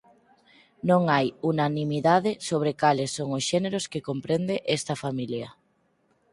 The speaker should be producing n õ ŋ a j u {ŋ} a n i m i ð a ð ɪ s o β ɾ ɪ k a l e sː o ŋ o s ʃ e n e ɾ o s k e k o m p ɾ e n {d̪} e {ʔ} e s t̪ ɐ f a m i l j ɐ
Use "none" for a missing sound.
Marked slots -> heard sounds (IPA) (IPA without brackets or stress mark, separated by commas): n, d̪, ʔ